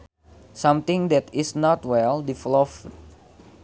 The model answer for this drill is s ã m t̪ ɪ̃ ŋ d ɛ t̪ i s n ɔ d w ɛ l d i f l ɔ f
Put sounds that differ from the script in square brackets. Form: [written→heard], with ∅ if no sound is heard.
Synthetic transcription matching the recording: s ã m t̪ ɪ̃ ŋ d ɛ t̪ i s n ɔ [d→t] w ɛ l d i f l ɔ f